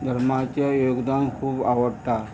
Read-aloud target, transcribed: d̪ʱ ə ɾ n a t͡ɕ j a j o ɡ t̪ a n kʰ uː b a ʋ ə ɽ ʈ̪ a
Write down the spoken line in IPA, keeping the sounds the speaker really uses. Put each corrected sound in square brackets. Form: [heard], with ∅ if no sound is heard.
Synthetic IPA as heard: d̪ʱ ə ɾ [m] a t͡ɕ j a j o ɡ [d̪] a n kʰ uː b a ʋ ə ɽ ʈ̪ a